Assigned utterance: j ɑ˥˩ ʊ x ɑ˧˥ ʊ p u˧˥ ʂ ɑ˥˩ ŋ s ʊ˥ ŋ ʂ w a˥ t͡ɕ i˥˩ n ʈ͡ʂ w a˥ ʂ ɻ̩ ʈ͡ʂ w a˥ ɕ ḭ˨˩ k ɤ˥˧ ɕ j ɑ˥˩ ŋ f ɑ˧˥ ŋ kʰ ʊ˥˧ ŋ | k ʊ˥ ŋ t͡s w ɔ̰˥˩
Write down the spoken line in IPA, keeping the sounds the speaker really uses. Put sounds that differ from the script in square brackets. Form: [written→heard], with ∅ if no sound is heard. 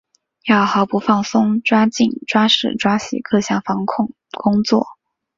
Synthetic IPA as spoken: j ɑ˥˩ ʊ x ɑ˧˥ ʊ p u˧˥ [ʂ→f] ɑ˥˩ ŋ s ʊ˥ ŋ [ʂ→ʈ͡ʂ] w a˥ t͡ɕ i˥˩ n ʈ͡ʂ w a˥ ʂ ɻ̩ ʈ͡ʂ w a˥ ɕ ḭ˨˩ k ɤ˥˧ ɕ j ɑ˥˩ ŋ f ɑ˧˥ ŋ kʰ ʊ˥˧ ŋ | k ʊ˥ ŋ t͡s w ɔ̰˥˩